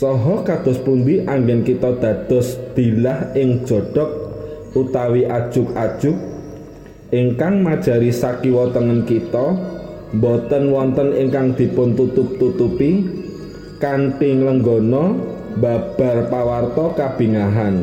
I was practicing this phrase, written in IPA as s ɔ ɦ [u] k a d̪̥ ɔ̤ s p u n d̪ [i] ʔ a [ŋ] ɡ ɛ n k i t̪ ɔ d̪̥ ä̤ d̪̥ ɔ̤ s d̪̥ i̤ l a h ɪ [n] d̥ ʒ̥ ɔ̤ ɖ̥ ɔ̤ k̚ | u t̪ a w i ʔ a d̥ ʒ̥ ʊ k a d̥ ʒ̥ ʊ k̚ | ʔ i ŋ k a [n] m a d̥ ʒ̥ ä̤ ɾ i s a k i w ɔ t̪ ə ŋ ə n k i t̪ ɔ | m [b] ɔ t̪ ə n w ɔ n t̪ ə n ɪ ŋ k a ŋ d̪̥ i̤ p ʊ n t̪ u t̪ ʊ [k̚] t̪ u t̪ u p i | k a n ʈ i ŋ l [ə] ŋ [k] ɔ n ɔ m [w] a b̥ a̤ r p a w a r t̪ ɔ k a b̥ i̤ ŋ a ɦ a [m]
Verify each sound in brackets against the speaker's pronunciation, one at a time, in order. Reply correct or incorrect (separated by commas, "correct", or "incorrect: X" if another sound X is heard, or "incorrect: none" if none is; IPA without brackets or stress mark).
incorrect: ɔ, correct, correct, incorrect: ŋ, incorrect: ŋ, correct, incorrect: p̚, correct, incorrect: ɡ, incorrect: b, incorrect: n